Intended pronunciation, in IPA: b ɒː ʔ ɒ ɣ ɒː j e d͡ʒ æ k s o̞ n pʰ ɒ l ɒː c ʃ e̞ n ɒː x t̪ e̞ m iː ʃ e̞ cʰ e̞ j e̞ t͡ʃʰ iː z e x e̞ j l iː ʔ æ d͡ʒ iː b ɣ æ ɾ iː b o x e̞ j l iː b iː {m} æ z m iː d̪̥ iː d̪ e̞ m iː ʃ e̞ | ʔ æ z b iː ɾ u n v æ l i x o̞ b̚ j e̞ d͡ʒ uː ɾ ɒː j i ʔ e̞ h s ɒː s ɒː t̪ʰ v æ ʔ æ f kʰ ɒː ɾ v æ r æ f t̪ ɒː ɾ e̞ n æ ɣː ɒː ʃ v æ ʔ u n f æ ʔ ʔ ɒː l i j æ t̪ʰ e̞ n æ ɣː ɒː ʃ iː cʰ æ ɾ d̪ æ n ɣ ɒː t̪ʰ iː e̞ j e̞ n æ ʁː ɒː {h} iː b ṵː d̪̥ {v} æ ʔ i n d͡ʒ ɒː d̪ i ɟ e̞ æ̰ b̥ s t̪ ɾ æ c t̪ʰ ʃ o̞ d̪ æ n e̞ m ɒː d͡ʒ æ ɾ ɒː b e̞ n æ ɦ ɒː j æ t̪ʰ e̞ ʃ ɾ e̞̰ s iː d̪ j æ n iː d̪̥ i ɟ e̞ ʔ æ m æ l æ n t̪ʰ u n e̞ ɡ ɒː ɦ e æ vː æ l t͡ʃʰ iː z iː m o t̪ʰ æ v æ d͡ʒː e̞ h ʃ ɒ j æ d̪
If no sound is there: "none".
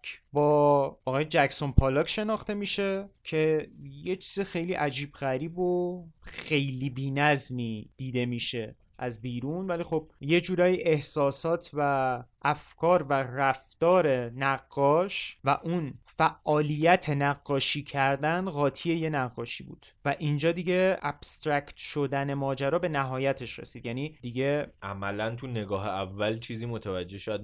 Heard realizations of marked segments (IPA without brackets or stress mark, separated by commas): n, ʃ, v